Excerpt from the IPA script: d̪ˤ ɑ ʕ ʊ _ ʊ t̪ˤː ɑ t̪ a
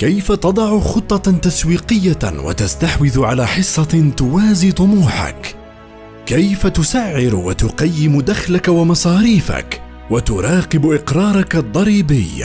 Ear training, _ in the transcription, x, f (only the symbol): x